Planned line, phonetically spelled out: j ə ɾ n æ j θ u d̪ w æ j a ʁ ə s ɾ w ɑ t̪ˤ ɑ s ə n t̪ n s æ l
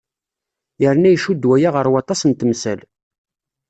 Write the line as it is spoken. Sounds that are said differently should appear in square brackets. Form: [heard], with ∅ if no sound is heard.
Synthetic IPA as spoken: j ə ɾ n æ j [ʃ] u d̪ w æ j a ʁ ə [∅] ɾ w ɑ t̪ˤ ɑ s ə n t̪ [m] s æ l